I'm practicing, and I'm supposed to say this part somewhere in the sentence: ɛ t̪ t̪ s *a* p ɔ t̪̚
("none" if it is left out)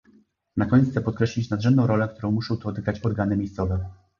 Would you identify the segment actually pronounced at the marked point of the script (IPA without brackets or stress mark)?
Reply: ɛ